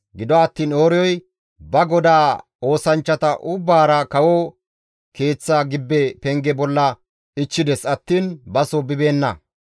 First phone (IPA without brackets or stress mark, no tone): ɡ